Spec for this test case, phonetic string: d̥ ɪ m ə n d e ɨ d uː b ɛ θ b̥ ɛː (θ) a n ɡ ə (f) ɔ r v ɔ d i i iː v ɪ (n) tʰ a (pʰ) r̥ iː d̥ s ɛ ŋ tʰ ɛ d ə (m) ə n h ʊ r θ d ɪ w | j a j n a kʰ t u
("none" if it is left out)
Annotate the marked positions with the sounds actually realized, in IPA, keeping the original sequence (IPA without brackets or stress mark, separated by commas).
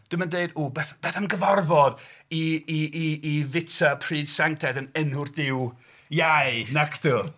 θ, v, none, pʰ, n